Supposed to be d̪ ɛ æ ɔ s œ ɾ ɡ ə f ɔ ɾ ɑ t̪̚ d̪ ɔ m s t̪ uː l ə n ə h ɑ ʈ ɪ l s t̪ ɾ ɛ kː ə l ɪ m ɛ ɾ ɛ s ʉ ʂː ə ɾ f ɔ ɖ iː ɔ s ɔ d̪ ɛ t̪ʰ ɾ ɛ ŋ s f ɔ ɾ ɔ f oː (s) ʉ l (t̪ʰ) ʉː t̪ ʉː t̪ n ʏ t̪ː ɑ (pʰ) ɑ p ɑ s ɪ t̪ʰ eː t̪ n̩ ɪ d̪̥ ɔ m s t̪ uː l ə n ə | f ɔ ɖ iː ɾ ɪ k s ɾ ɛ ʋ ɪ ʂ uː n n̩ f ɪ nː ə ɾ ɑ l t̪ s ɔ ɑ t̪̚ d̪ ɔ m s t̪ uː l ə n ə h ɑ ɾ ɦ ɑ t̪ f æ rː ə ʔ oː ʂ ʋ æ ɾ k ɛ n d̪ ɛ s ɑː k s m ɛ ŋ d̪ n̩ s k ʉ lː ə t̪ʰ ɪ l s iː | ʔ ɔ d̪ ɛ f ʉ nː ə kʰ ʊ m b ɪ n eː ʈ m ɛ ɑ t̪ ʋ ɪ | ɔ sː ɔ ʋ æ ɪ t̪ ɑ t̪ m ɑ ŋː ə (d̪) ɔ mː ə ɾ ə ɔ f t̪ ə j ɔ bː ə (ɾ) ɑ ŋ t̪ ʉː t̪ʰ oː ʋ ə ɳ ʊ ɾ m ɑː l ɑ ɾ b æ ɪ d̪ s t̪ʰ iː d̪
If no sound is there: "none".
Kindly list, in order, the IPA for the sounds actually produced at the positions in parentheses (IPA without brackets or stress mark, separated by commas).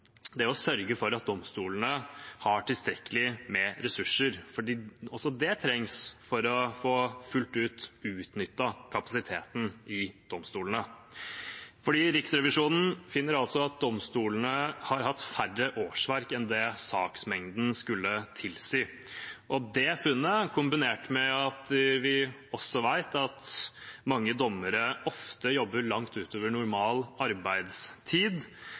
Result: f, t̪, kʰ, d̪, ɭ